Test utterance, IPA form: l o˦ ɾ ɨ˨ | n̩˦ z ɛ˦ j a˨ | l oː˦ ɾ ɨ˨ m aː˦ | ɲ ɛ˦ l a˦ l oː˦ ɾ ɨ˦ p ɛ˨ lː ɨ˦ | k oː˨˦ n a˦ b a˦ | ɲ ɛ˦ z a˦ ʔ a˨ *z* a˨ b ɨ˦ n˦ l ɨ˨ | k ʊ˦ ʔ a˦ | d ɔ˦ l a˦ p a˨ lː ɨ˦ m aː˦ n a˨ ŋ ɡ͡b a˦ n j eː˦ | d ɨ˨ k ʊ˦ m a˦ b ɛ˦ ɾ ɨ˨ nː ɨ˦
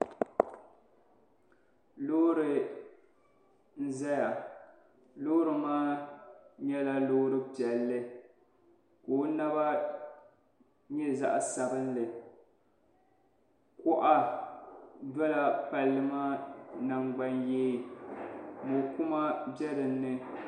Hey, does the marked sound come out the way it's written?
no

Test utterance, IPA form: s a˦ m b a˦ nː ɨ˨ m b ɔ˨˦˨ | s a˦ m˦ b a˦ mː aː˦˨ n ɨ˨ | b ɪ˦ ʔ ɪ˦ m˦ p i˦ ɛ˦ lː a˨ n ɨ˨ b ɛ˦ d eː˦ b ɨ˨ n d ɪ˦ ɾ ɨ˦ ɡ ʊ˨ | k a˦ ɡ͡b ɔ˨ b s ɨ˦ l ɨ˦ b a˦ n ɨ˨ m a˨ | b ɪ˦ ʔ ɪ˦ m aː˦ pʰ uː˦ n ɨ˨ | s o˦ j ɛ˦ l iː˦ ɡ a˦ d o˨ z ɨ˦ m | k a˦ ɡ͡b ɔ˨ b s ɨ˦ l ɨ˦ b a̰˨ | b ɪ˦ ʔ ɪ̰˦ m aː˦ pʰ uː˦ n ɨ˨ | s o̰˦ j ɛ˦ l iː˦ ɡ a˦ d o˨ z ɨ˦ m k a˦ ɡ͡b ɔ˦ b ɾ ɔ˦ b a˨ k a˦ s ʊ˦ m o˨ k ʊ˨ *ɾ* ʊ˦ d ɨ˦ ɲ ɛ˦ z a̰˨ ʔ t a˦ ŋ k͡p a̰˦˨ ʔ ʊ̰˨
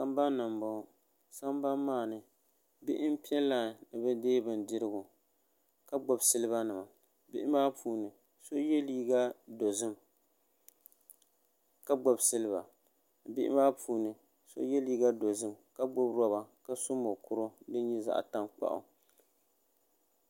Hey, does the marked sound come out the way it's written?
yes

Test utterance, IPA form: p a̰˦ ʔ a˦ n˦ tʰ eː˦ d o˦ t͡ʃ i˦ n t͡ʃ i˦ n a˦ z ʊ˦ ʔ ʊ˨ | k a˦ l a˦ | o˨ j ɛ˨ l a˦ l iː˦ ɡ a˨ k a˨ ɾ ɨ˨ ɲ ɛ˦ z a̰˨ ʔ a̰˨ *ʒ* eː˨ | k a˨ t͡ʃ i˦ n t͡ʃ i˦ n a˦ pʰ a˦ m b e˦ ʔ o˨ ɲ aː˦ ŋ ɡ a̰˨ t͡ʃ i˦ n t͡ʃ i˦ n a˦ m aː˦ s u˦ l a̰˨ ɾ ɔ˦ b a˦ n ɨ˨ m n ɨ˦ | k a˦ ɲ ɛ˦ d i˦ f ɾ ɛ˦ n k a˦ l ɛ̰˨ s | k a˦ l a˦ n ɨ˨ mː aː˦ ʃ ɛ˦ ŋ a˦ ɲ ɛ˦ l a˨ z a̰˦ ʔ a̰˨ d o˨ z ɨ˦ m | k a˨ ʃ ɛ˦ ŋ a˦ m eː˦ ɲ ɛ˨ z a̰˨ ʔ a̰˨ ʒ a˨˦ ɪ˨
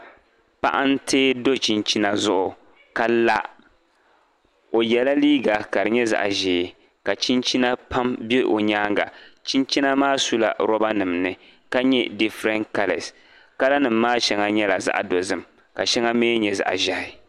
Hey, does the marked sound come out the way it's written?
yes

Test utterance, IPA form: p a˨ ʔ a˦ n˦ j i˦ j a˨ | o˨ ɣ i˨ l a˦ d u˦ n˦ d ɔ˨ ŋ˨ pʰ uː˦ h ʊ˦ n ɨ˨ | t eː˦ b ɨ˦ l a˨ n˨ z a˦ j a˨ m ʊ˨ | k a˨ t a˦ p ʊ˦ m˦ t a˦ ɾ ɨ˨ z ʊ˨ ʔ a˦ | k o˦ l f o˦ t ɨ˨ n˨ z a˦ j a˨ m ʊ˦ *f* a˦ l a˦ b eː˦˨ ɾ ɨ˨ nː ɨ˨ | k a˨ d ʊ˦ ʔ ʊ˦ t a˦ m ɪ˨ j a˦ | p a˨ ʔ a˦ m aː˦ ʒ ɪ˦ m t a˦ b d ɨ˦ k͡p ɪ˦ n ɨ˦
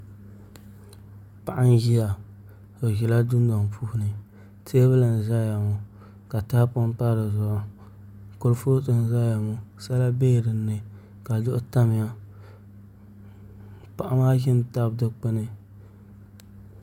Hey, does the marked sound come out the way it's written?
no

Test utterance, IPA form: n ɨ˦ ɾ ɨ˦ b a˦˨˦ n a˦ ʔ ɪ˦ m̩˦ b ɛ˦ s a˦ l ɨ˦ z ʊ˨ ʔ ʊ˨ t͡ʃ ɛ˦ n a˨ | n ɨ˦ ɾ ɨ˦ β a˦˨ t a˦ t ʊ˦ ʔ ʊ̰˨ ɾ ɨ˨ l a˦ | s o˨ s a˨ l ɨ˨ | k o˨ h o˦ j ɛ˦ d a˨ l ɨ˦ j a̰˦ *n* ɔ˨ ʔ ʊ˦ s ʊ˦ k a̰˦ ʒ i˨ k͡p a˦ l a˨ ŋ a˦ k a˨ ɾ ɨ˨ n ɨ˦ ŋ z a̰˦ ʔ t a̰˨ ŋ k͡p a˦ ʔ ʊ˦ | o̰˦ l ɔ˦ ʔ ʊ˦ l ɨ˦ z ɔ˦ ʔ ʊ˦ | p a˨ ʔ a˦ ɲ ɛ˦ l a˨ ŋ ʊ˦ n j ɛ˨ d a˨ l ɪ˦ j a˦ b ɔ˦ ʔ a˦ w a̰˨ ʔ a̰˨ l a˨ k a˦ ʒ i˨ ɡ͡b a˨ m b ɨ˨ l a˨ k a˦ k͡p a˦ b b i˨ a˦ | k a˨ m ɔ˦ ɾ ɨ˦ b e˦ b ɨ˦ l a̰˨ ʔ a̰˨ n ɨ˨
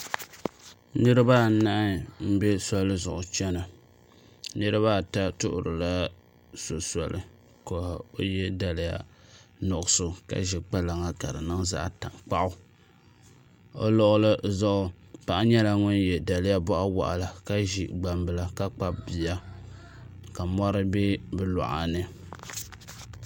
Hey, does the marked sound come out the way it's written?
yes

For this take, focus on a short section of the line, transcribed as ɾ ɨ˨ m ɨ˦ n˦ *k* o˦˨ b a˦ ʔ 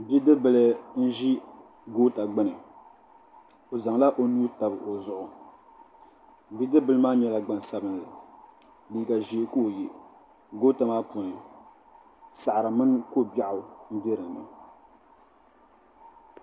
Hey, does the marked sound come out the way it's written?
yes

